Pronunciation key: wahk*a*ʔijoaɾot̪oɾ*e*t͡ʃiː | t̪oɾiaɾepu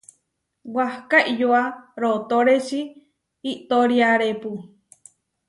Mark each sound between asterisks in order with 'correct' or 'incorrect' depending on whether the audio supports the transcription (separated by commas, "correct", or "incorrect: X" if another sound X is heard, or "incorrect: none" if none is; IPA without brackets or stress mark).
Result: correct, correct